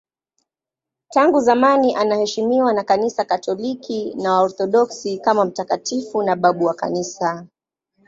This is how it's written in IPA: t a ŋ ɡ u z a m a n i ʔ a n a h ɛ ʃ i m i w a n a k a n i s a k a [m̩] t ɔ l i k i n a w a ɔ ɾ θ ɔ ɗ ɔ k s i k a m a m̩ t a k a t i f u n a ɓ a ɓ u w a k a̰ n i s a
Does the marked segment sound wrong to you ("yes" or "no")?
yes